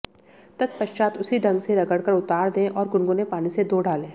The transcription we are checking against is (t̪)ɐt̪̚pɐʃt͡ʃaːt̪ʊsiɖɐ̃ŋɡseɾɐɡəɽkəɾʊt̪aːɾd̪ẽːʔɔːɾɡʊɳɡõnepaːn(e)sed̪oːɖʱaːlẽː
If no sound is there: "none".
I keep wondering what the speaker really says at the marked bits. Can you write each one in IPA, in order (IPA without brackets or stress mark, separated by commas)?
t̪, i